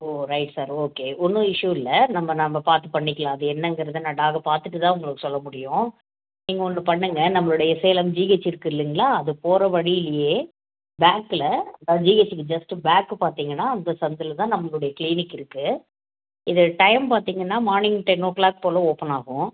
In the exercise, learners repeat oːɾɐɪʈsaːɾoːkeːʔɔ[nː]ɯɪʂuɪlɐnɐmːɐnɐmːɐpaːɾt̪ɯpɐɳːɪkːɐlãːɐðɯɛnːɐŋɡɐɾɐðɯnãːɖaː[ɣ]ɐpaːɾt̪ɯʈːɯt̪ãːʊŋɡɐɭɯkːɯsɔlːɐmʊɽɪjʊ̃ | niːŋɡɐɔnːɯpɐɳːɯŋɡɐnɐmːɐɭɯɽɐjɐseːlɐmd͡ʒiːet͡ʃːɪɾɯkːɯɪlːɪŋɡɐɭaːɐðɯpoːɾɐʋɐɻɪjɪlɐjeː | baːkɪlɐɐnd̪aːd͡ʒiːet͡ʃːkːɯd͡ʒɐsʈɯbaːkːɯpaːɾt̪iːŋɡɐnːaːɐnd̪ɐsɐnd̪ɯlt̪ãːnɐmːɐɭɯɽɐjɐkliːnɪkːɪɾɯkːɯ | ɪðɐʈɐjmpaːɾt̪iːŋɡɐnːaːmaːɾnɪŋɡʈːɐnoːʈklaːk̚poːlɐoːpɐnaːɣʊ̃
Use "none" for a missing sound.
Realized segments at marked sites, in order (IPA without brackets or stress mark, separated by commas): nː, ɣ